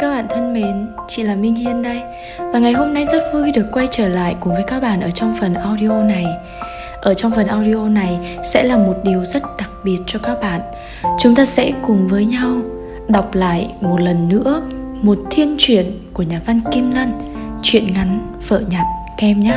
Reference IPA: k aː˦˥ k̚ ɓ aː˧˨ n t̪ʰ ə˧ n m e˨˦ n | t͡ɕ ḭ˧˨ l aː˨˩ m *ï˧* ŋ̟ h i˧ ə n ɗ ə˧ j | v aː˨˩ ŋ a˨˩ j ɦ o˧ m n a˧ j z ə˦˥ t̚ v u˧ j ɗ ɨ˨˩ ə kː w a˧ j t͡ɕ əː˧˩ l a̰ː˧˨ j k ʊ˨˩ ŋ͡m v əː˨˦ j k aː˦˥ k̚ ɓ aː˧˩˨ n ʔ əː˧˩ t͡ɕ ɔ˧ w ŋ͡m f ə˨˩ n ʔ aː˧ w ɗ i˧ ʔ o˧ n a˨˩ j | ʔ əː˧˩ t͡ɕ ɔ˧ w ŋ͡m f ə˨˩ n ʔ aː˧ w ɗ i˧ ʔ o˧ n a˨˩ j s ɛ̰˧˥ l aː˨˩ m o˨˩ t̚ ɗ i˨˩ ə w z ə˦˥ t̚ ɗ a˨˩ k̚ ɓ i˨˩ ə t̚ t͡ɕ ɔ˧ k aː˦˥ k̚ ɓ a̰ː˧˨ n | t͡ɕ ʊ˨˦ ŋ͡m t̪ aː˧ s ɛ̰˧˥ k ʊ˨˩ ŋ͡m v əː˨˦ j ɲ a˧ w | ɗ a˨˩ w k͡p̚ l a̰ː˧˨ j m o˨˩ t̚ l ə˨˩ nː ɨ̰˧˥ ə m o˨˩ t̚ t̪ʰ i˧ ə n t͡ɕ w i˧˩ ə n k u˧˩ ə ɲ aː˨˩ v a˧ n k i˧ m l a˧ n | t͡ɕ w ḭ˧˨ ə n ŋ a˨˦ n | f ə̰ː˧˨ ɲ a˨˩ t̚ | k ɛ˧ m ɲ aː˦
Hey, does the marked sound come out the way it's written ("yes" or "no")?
yes